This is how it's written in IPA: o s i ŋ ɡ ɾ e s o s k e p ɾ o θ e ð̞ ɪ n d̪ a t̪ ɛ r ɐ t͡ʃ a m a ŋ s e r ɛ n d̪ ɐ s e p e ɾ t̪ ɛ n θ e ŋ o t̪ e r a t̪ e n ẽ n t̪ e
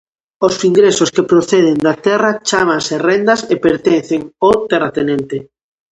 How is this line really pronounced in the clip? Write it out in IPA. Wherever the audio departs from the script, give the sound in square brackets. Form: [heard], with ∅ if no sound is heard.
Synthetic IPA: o s i ŋ ɡ ɾ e s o s k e p ɾ o θ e ð̞ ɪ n d̪ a t̪ ɛ r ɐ t͡ʃ a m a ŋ s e r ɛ n d̪ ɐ s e p e ɾ t̪ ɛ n θ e ŋ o t̪ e r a t̪ e n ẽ n t̪ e